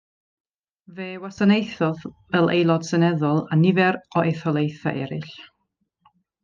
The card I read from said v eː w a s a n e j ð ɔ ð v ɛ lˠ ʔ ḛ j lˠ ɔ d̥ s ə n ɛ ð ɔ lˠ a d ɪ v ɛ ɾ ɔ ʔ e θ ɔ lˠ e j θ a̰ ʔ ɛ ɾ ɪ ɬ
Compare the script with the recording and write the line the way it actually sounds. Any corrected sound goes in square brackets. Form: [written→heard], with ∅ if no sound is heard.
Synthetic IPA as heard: v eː w a s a n e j [ð→θ] ɔ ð v ɛ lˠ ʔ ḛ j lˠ ɔ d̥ s ə n ɛ ð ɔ lˠ a [d→n] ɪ v ɛ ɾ ɔ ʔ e θ ɔ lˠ e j θ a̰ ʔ ɛ ɾ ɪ ɬ